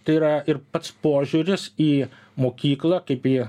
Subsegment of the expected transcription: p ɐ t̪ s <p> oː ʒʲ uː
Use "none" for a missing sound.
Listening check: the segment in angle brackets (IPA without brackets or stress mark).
p